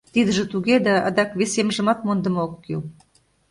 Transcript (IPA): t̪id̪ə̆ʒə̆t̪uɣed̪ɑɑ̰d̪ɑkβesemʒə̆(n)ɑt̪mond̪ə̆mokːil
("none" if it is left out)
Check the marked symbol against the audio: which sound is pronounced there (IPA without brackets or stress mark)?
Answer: m